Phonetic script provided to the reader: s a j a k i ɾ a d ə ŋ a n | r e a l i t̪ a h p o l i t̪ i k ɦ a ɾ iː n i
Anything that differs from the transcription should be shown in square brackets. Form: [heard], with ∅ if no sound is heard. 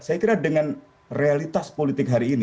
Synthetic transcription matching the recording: s a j a k i ɾ a d ə ŋ a n | r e a l i t̪ a [s] p o l i t̪ [ɪ] k ɦ a ɾ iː n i

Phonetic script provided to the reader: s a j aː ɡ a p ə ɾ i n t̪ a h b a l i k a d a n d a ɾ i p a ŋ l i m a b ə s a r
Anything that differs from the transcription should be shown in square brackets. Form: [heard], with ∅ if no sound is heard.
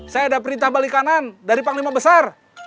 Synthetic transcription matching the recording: s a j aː [d] a p ə ɾ i n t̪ a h b a l i k a [n] a n d a ɾ i p a ŋ l i m a b ə s a r

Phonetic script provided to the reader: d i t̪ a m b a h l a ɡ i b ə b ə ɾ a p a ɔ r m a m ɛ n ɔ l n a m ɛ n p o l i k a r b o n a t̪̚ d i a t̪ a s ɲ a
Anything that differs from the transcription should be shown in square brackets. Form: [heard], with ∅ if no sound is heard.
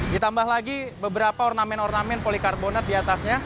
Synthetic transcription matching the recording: d i t̪ a m b a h l a ɡ i b ə b ə ɾ a p a ɔ r [n] a m ɛ n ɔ [r] n a m ɛ n p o l i k a r b o n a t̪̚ d i a t̪ a s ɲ a

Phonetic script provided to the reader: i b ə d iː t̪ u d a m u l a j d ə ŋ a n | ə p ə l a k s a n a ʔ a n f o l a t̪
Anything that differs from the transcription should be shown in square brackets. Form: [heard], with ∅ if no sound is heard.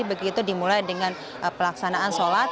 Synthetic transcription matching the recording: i b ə [ɡ] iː t̪ u d [i] m u l a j d ə ŋ a n | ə p ə l a k s a n a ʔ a n [s] o l a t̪

